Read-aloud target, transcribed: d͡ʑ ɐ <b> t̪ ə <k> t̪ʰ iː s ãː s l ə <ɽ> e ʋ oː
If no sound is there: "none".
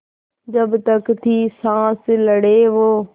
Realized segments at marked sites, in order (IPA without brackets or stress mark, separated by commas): b, k, ɽ